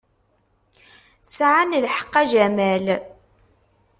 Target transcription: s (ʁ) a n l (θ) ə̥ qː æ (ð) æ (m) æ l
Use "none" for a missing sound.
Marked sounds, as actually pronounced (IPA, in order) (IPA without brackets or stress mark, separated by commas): ʕ, ħ, ʒ, m